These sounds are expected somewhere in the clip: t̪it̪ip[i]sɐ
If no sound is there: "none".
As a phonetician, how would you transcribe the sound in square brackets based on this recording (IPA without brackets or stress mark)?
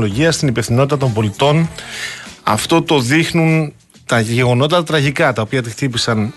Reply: i